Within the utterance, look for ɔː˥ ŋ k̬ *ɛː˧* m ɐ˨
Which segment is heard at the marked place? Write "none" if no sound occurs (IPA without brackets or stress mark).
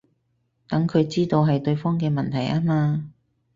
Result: ɛː˧